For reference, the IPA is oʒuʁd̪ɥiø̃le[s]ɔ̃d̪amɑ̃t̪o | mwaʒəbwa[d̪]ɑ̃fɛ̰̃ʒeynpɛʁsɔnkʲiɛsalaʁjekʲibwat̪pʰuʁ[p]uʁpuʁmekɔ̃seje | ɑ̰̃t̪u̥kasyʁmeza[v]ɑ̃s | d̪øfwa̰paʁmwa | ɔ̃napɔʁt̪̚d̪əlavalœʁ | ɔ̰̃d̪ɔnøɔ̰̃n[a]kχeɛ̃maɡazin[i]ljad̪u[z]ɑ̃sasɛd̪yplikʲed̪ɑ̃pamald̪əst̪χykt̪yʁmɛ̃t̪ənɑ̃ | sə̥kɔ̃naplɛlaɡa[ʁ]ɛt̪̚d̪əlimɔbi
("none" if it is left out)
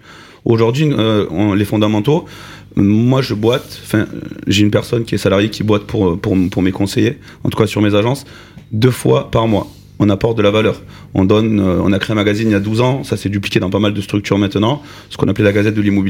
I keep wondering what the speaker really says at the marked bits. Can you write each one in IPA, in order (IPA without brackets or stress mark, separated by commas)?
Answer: f, t̪, p, ʒ, a, i, z, z